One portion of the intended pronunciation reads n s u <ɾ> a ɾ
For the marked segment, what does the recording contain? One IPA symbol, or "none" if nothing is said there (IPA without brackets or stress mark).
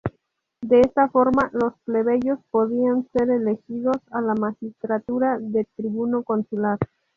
l